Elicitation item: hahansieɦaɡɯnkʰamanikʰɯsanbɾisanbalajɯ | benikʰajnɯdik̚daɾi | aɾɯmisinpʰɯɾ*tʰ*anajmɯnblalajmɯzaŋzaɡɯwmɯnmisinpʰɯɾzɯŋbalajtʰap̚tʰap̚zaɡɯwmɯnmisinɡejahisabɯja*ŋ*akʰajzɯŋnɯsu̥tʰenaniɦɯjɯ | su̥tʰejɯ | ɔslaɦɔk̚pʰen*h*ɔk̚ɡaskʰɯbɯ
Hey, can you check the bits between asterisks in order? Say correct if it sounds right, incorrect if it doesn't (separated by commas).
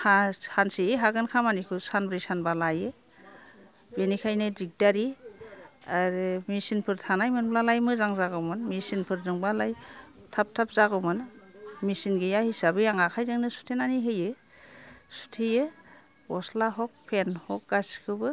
correct, correct, correct